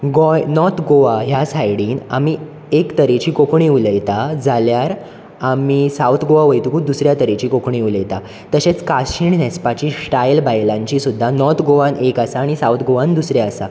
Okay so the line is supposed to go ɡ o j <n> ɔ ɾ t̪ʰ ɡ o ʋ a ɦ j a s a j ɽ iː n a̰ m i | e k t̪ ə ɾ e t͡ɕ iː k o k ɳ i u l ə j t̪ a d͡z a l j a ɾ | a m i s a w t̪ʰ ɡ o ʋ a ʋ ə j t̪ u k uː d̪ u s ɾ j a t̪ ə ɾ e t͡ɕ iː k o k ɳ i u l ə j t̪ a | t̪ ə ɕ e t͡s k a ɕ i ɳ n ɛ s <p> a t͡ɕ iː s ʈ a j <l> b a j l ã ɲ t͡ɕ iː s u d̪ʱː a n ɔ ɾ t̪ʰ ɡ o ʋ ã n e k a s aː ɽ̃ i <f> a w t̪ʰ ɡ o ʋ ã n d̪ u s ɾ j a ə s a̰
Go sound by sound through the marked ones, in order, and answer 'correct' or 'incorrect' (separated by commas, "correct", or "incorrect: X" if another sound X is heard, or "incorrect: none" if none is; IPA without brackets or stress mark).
correct, correct, correct, incorrect: s